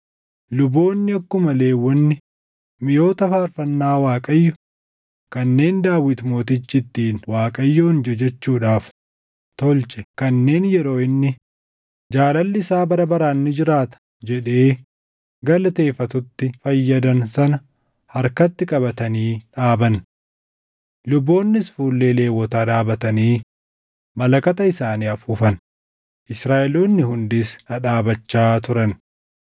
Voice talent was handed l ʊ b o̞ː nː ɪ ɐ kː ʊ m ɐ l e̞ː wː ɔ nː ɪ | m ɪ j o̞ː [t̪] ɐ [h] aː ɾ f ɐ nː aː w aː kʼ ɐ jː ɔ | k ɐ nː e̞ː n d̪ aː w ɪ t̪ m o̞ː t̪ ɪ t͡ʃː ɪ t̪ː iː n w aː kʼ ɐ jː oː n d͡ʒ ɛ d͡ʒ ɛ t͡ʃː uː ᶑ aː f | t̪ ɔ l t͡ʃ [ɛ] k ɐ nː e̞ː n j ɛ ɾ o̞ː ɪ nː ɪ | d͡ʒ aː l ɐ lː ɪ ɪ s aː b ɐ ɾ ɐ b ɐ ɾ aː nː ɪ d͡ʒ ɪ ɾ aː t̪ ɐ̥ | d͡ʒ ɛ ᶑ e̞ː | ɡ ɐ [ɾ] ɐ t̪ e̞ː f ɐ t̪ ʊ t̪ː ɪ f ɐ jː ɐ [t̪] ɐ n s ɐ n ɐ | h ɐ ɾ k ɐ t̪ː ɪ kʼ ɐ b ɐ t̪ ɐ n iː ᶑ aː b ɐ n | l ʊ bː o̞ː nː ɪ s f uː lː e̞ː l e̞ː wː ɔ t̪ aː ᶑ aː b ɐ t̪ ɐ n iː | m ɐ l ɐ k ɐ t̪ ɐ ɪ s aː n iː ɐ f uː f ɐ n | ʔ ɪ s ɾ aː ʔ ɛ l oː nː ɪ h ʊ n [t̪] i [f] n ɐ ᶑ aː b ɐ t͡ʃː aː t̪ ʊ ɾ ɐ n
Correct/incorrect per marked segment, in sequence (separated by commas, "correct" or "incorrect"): correct, incorrect, correct, incorrect, incorrect, incorrect, incorrect